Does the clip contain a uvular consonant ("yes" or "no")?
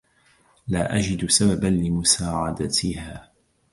no